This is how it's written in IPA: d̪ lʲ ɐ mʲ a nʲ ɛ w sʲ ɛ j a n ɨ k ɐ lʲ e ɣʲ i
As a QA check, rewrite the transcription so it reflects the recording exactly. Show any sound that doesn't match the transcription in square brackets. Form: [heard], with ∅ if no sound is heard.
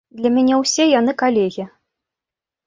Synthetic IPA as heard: d̪ lʲ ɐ mʲ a nʲ ɛ w sʲ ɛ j a n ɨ k [a] lʲ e ɣʲ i